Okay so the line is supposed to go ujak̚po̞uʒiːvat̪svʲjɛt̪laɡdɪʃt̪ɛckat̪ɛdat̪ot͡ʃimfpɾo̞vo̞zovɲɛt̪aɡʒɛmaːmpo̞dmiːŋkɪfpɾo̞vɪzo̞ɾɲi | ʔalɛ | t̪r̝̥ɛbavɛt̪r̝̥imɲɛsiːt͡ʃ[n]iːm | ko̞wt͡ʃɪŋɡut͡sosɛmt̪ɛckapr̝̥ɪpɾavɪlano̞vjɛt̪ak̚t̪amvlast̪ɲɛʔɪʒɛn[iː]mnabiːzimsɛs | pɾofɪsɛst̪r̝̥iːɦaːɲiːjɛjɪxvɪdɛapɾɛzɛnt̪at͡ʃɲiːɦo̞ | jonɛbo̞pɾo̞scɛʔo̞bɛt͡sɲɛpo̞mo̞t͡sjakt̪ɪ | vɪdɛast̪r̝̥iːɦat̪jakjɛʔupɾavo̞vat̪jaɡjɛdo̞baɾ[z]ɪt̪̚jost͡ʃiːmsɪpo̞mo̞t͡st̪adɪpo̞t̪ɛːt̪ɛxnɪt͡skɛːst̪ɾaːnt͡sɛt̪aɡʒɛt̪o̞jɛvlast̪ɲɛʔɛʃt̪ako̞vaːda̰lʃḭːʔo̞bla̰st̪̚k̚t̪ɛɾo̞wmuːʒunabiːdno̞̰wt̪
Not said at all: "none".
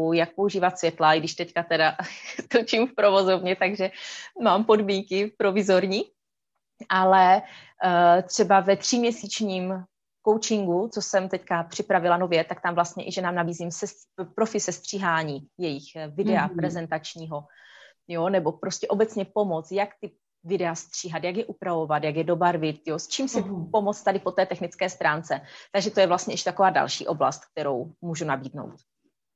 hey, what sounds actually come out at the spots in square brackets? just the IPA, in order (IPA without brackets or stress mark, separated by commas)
ɲ, aː, v